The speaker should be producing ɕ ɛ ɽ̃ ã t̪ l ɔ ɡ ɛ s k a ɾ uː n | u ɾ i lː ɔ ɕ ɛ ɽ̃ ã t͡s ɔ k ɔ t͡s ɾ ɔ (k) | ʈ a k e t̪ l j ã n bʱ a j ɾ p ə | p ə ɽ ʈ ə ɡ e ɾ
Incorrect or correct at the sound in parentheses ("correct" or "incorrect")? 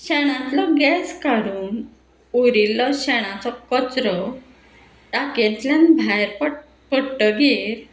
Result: incorrect